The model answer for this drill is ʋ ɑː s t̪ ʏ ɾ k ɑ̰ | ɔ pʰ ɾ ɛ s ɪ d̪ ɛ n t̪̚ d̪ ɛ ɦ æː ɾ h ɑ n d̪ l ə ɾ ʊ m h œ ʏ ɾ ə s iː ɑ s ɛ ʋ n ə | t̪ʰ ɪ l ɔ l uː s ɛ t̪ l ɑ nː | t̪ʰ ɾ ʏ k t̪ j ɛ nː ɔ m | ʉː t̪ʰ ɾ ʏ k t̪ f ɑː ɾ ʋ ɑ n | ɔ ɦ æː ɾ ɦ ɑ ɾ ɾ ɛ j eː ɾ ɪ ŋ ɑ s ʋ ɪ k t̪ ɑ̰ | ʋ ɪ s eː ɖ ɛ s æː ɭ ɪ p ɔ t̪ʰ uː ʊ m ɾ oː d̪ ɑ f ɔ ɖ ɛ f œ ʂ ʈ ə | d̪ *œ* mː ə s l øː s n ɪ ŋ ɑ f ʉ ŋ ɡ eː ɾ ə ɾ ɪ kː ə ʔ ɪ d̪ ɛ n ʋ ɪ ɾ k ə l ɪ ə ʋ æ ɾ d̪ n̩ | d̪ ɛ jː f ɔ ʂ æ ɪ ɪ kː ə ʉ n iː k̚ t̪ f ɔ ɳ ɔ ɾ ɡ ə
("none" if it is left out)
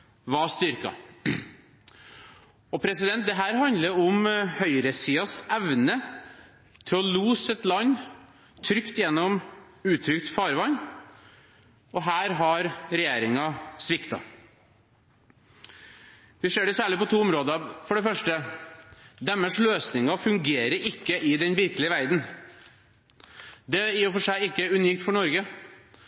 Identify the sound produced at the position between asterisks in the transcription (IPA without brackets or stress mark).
ɛ